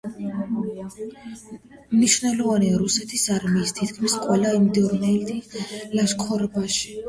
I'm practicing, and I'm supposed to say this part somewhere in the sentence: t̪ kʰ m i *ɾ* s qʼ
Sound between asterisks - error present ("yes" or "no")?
yes